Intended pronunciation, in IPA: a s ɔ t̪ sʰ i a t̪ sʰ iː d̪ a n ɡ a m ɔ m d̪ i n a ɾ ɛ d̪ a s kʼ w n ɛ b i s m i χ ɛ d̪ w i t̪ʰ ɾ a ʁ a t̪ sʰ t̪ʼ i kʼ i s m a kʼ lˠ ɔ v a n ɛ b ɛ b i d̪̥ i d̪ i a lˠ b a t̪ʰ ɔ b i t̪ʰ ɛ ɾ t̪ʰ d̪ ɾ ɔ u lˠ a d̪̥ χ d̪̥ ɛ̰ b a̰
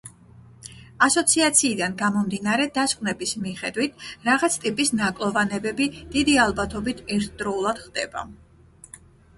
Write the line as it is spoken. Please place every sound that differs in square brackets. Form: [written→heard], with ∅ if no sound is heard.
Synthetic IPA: a s ɔ t̪ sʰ i a t̪ sʰ iː d̪ a n ɡ a m ɔ m d̪ i n a ɾ ɛ d̪ a s kʼ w n ɛ b i s m i χ ɛ d̪ w i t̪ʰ ɾ a ʁ a t̪ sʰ t̪ʼ i [kʼ→pʼ] i s [m→n] a kʼ lˠ ɔ v a n ɛ b ɛ b i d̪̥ i d̪ i a lˠ b a t̪ʰ ɔ b i t̪ʰ ɛ ɾ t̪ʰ d̪ ɾ ɔ u lˠ a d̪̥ χ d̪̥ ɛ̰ b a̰